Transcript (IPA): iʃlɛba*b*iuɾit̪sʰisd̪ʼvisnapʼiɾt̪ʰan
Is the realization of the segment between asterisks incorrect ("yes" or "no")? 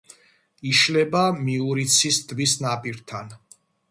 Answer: yes